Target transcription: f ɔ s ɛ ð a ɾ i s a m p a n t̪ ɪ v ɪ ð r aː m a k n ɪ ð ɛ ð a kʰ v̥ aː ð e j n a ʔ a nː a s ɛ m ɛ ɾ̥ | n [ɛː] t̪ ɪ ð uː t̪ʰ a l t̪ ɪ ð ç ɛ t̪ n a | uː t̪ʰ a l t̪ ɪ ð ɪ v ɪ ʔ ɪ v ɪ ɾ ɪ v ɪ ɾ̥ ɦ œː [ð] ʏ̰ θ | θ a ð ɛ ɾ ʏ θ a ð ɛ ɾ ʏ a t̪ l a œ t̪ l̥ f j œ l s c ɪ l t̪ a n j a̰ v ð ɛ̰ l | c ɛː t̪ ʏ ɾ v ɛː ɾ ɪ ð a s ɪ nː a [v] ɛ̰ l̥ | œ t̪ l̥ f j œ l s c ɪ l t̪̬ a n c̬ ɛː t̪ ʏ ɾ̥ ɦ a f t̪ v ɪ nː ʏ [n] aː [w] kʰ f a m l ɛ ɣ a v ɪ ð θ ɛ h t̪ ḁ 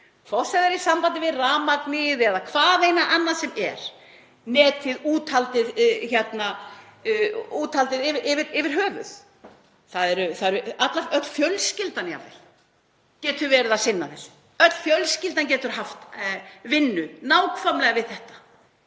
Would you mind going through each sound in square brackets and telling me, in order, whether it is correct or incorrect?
correct, incorrect, incorrect, correct, correct

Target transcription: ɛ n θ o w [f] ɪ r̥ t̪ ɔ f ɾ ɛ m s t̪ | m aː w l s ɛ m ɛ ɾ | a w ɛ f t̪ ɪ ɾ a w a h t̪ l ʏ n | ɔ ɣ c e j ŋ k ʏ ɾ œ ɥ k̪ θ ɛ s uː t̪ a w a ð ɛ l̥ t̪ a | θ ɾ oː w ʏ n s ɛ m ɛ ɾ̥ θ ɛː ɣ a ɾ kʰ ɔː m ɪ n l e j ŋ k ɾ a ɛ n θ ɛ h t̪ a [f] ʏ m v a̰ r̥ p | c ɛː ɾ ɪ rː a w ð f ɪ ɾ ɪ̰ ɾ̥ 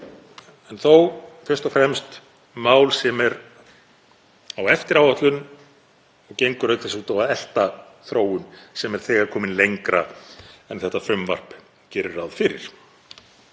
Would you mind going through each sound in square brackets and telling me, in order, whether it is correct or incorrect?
correct, correct

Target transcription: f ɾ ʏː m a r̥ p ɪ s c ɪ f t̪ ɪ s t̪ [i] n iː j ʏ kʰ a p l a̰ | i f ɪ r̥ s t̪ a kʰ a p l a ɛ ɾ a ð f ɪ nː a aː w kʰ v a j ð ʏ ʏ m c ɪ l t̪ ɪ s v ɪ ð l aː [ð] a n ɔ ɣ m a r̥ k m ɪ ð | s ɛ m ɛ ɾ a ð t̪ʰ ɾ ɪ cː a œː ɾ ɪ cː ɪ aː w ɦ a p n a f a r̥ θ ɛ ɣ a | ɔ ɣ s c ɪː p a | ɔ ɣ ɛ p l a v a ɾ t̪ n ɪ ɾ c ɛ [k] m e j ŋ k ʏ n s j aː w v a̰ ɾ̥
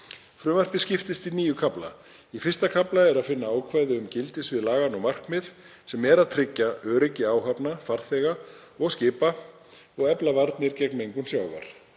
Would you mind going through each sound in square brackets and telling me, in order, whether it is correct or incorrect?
correct, incorrect, correct

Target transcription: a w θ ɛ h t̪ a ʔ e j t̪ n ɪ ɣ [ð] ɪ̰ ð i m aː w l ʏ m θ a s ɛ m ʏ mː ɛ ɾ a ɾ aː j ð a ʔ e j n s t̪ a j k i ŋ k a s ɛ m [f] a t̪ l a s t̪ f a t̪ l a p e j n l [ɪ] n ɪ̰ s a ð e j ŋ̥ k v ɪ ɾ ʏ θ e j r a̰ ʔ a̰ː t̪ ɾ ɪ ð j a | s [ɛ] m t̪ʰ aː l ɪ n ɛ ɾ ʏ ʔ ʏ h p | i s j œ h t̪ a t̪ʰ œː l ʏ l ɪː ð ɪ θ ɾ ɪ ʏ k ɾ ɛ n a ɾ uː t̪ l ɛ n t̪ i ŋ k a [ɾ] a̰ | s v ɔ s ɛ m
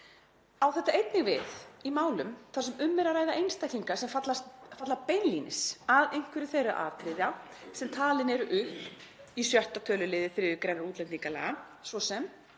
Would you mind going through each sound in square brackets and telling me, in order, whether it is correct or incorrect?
incorrect, correct, incorrect, correct, incorrect

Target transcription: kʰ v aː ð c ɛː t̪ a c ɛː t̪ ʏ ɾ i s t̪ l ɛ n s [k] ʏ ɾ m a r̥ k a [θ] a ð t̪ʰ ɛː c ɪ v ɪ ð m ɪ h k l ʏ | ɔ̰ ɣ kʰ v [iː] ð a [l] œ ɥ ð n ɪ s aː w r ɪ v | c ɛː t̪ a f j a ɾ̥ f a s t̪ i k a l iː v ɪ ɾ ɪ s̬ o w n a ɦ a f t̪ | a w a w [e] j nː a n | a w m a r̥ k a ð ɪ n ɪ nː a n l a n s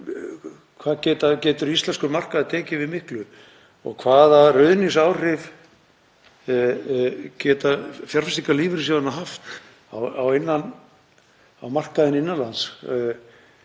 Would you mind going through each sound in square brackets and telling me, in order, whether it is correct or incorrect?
correct, incorrect, incorrect, incorrect, correct

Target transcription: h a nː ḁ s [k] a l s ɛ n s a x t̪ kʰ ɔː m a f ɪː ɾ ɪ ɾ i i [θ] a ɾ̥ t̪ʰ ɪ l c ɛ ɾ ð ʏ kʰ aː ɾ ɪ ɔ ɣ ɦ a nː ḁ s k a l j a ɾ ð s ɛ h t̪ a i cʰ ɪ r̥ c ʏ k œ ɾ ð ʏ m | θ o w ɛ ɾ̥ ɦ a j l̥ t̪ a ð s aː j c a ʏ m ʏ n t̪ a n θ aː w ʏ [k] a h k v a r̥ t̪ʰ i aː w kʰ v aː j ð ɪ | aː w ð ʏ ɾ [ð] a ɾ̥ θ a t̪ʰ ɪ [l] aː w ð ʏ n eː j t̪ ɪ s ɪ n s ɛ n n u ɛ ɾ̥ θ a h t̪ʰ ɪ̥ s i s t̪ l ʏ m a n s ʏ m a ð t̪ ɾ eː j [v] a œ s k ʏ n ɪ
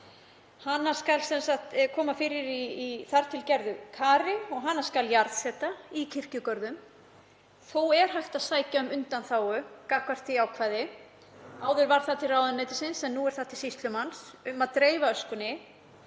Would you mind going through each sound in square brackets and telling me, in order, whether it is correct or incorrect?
correct, correct, correct, incorrect, incorrect, correct

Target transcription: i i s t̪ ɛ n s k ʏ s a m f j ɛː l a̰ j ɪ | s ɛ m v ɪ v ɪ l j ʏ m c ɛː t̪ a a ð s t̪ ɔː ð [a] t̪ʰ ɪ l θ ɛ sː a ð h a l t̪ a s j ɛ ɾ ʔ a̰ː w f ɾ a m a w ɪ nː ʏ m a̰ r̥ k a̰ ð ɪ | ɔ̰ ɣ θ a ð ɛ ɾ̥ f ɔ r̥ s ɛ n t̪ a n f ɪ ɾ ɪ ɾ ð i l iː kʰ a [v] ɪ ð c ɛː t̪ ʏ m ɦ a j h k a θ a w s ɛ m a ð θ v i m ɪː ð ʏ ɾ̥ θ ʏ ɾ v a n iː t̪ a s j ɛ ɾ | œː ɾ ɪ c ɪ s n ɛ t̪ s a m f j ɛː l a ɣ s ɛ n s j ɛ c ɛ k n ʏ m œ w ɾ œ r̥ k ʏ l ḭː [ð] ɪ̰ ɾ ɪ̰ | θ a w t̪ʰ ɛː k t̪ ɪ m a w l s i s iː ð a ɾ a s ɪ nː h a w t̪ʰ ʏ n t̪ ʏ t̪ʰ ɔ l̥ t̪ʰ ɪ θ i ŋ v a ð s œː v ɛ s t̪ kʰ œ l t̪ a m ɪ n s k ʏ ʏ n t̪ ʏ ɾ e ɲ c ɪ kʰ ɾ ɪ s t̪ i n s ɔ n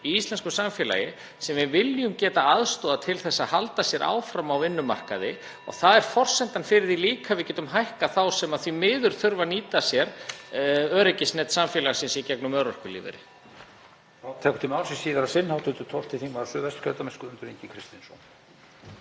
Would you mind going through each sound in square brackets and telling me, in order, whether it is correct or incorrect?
correct, correct, incorrect

